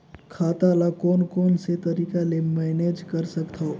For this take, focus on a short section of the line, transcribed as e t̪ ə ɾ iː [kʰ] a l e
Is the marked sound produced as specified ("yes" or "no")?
no